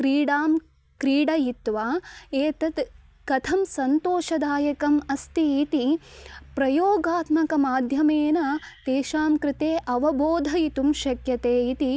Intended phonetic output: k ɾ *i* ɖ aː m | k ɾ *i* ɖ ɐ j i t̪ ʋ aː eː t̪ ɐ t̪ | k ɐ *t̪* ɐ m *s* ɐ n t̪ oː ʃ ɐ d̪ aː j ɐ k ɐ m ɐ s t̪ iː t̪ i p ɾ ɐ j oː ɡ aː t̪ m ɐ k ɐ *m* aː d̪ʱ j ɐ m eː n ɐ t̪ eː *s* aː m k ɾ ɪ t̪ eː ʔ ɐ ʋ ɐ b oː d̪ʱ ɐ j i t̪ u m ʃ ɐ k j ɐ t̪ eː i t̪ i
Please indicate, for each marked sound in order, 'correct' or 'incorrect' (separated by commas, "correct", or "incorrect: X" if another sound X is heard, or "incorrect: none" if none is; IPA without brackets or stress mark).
incorrect: iː, incorrect: iː, incorrect: t̪ʰ, correct, correct, incorrect: ʃ